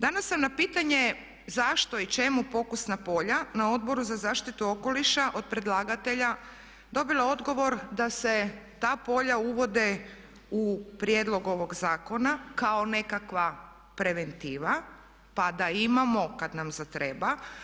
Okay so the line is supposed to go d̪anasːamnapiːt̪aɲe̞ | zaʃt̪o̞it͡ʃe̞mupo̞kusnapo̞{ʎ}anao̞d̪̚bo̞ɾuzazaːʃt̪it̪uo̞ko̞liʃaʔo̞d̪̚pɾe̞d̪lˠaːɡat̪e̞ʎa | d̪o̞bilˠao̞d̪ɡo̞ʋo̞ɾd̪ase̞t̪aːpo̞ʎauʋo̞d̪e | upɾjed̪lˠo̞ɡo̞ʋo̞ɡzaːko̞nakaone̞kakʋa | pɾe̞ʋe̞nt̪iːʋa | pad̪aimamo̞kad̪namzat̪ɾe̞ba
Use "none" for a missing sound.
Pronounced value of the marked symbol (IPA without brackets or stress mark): ʎ